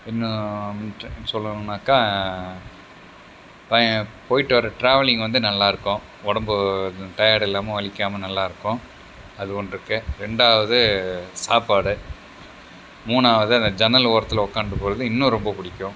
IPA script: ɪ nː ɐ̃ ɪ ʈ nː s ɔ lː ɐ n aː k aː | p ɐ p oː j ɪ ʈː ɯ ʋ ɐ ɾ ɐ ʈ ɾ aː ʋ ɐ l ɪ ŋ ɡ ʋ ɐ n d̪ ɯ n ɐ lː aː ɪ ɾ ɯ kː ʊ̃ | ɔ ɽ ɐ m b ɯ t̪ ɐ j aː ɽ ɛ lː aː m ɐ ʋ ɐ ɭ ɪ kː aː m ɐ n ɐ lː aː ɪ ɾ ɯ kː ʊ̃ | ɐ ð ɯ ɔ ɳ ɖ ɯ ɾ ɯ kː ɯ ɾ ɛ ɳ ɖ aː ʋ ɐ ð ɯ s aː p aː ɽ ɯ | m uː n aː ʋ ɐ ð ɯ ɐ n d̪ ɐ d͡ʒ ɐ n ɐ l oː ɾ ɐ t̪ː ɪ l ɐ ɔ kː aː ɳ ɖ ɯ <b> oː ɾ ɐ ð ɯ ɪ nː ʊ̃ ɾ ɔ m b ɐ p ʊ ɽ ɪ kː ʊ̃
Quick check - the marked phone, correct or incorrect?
incorrect